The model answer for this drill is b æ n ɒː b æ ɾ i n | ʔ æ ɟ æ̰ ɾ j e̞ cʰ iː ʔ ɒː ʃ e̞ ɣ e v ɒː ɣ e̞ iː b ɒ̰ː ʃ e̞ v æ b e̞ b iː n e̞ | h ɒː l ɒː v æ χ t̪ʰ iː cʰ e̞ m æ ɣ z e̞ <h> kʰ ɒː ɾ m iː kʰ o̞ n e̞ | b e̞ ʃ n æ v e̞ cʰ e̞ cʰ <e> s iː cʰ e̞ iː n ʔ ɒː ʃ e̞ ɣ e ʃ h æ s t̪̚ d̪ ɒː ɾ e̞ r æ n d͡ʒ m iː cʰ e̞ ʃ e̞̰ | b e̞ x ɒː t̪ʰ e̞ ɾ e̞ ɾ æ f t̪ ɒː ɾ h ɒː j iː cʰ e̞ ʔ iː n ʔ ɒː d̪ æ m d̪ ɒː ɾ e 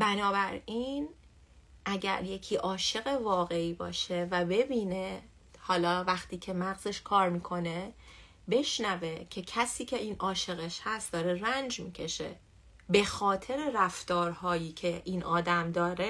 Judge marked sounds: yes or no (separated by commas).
no, no